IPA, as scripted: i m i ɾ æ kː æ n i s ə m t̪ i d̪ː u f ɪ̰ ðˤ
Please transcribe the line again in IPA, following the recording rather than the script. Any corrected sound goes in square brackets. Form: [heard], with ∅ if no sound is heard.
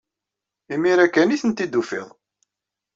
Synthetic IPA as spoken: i m i ɾ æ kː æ n i [θ] ə [n] t̪ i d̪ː u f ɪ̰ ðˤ